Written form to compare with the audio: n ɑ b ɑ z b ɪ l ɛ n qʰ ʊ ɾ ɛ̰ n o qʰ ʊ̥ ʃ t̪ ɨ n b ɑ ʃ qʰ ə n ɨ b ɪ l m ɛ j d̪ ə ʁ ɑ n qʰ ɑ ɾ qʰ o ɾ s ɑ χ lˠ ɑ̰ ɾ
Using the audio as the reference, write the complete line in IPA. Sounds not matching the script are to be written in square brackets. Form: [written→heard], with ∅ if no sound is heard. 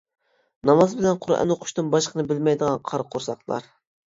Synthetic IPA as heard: n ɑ [b→m] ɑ z b ɪ l ɛ n qʰ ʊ ɾ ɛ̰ n o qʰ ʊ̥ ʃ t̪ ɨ n b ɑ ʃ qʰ ə n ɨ b ɪ l m ɛ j d̪ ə ʁ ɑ n qʰ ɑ ɾ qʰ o ɾ s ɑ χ lˠ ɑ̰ ɾ